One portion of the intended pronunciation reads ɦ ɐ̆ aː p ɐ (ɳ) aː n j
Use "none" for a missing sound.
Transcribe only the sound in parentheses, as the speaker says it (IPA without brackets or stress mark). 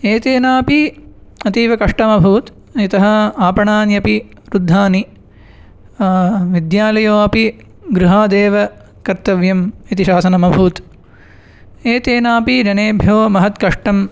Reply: ɳ